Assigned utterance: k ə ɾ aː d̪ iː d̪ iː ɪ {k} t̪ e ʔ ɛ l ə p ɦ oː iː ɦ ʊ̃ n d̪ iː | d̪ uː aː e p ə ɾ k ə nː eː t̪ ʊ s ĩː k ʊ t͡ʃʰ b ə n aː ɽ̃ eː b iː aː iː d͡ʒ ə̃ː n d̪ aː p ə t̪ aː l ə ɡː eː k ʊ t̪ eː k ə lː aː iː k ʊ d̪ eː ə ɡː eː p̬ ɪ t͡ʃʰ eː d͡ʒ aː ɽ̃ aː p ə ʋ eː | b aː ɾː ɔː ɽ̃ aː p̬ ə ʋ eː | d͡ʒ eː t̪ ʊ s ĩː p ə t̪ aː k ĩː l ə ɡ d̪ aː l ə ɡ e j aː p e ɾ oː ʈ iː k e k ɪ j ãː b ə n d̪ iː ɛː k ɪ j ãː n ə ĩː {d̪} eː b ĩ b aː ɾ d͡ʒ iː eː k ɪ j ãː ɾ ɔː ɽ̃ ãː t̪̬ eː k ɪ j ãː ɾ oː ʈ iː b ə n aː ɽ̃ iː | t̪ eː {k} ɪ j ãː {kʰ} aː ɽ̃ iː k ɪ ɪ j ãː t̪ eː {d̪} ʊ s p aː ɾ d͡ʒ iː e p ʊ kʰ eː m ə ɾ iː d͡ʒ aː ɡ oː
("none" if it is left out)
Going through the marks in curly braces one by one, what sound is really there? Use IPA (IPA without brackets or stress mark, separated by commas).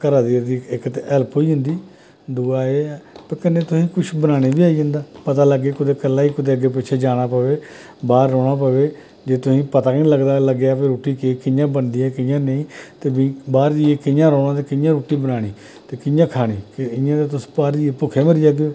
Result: k, t̪, k, kʰ, t̪